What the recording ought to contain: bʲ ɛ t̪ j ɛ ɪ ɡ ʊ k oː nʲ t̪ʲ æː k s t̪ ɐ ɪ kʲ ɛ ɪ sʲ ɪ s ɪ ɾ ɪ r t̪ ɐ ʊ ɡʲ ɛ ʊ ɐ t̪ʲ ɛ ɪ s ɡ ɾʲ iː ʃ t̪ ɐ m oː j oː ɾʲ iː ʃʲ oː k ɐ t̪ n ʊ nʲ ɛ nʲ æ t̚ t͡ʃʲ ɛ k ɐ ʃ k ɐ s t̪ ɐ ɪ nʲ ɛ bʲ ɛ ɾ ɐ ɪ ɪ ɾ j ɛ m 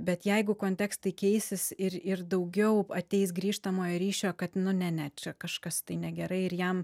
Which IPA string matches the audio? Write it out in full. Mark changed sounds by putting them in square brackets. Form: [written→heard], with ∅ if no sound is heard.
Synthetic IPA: bʲ ɛ t̪ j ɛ ɪ ɡ ʊ k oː nʲ t̪ʲ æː k s t̪ ɐ ɪ kʲ ɛ ɪ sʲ ɪ s ɪ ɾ ɪ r [t̪→d̪] ɐ ʊ ɡʲ ɛ ʊ ɐ t̪ʲ ɛ ɪ s ɡ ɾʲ iː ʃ t̪ ɐ m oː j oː ɾʲ iː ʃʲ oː k ɐ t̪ n ʊ nʲ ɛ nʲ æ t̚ t͡ʃʲ ɛ k ɐ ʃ k ɐ s t̪ ɐ ɪ nʲ ɛ [bʲ→ɡʲ] ɛ ɾ ɐ ɪ ɪ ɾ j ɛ m